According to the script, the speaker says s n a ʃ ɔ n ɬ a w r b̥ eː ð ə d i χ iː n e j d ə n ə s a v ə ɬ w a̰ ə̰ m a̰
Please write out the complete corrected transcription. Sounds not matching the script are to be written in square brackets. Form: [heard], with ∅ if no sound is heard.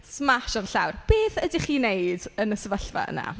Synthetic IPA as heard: s [m] a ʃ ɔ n ɬ a w r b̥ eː [θ] ə d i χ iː n e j d ə n ə s [ə] v ə ɬ [v] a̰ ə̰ [n] a̰

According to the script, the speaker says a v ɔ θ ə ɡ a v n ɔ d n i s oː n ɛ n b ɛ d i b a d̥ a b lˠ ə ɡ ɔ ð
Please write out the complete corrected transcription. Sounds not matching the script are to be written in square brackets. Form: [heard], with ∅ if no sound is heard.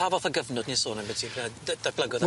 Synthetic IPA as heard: a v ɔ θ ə ɡ [ə] v n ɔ d n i s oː n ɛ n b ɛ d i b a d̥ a b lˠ ə ɡ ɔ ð

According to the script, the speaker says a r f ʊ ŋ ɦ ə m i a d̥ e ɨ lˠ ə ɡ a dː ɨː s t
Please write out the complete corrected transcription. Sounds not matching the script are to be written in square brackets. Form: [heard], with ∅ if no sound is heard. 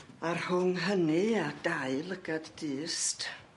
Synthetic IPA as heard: a r [h] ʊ ŋ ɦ ə [n] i a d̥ [a] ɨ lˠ ə ɡ a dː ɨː s t

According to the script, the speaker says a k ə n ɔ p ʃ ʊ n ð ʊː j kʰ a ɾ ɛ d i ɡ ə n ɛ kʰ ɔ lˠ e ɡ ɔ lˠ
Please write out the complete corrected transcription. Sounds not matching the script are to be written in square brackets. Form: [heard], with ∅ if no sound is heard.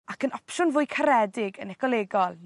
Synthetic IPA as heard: a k ə n ɔ p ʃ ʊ n [v] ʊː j kʰ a ɾ ɛ d [ɪ] ɡ ə n ɛ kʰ ɔ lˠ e ɡ ɔ lˠ

